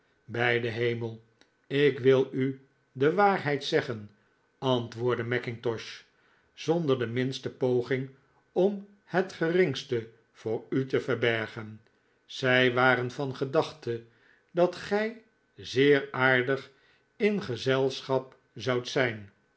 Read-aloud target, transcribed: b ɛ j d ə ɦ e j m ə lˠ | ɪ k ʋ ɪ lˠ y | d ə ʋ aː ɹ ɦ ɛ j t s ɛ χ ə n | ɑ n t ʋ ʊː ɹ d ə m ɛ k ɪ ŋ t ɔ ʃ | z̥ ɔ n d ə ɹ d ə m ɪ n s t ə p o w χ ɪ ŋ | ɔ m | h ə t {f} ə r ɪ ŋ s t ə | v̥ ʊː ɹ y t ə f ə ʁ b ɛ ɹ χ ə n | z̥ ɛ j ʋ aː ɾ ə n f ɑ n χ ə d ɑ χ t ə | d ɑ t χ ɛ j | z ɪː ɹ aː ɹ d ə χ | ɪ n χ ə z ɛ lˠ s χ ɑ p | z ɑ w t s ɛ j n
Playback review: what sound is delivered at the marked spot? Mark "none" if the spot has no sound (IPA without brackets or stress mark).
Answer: χ